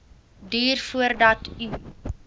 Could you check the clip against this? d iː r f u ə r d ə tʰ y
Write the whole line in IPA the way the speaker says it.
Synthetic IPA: d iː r f u ə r d ɐ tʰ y